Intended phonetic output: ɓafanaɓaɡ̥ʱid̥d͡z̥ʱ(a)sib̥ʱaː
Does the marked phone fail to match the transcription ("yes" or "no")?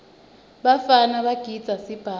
no